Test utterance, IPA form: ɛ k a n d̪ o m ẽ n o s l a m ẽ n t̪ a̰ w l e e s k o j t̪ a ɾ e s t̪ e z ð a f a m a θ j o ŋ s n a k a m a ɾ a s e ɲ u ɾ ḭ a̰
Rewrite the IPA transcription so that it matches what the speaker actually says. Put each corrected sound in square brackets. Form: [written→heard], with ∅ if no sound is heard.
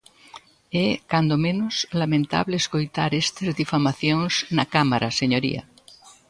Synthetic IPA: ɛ k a n d̪ o m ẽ n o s l a m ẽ n t̪ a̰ [w→β] l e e s k o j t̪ a ɾ e s t̪ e z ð [a→i] f a m a θ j o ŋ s n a k a m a ɾ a s e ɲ [u→o] ɾ ḭ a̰